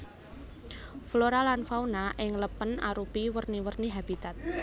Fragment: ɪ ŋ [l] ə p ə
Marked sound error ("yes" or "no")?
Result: no